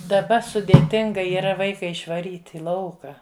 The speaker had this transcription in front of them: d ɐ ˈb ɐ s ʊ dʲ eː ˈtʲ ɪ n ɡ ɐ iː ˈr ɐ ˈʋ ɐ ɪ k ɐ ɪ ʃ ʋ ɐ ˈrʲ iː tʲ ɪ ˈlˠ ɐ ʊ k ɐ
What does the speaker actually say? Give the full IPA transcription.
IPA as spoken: d ɐ ˈb ɐ s ʊ dʲ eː ˈtʲ ɪ ŋ ɡ ɐ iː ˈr ɐ ˈʋ ɐ ɪ k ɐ ɪ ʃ ʋ ɐ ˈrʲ iː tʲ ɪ ˈlˠ ɐ ʊ k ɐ